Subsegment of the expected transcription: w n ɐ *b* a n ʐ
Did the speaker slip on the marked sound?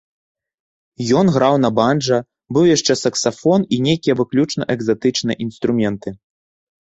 no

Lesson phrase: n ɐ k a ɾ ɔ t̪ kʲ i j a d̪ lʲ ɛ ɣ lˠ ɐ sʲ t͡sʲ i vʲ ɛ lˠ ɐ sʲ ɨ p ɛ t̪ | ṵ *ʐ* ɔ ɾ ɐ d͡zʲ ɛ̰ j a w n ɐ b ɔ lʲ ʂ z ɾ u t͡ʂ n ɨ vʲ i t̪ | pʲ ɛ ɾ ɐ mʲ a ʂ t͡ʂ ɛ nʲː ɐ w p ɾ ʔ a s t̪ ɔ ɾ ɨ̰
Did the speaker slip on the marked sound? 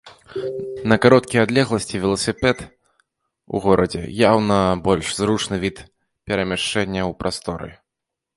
yes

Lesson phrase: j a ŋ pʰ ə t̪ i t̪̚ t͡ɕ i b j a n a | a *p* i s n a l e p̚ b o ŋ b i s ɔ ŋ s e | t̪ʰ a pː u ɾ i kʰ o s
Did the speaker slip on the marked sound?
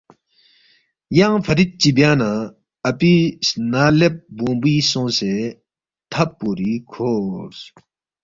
no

